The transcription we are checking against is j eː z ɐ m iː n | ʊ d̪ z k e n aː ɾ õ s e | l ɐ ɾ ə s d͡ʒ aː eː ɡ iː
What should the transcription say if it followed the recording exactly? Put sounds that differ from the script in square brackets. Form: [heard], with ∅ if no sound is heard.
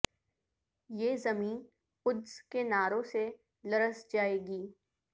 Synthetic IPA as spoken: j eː z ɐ m iː n | ʊ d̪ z k e n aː ɾ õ s e | l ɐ ɾ ə s d͡ʒ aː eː ɡ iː